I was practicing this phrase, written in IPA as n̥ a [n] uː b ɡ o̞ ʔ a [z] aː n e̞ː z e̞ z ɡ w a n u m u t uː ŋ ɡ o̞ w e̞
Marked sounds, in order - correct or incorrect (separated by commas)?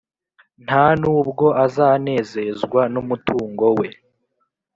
correct, correct